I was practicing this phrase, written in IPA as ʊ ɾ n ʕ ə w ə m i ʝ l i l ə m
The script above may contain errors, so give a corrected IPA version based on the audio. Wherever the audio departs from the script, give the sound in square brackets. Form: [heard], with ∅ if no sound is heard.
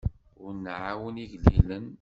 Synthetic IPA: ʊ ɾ n ʕ [a] w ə [n] i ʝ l i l ə [n]

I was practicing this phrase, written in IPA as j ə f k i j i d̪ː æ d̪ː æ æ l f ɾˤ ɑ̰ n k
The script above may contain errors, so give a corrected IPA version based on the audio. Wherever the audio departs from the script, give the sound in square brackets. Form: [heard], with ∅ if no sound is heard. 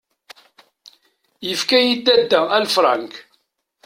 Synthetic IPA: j ə f k [æ] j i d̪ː æ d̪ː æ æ l f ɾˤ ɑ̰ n k

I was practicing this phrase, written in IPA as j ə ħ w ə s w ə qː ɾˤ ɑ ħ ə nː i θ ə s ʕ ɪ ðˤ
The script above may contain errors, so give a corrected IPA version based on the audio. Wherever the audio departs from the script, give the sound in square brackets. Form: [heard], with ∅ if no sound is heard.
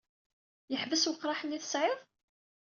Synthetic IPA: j ə ħ [v] ə s w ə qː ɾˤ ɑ ħ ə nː i θ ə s ʕ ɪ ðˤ

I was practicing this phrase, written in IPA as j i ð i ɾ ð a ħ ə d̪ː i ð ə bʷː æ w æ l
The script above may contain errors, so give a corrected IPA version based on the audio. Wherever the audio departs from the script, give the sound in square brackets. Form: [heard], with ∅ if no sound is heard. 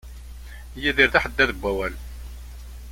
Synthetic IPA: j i ð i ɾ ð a ħ ə d̪ː [æ] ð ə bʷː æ w æ l

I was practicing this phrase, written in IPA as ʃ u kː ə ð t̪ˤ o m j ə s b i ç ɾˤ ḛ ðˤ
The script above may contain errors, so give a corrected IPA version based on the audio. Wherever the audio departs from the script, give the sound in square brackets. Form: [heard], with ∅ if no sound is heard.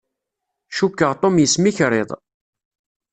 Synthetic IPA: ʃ u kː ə [ʁ] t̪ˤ o m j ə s [m] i ç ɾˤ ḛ ðˤ

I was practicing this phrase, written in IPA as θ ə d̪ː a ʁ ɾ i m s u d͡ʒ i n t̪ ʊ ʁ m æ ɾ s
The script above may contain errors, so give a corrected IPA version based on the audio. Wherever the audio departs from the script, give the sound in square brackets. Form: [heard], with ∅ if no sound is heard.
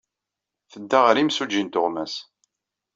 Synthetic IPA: θ ə d̪ː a ʁ ɾ i m s u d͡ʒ i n t̪ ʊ ʁ m æ [∅] s

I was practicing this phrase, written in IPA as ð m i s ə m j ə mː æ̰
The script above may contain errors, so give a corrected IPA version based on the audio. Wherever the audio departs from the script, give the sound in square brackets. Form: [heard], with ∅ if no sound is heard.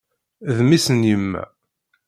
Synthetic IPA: ð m i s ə [n] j ə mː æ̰

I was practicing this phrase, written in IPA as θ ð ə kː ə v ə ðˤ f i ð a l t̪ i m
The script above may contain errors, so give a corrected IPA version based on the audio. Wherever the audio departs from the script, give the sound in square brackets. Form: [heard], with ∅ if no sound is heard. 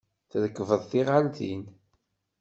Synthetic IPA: θ ð ə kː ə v ə ðˤ [θ] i [ʁ] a l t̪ i [n]

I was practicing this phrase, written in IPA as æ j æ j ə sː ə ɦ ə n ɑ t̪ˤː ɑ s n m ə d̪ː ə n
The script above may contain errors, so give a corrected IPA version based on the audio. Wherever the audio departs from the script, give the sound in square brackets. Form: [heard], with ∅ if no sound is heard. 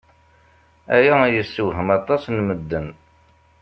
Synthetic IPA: æ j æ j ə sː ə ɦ ə [m] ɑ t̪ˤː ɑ s n m ə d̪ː ə n

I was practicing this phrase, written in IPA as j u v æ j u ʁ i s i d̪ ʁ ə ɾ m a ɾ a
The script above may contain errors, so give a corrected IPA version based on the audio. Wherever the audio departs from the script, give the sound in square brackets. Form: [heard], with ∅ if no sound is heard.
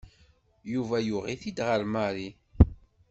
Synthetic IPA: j u v æ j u ʁ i [θ] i d̪ ʁ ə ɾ m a ɾ [i]

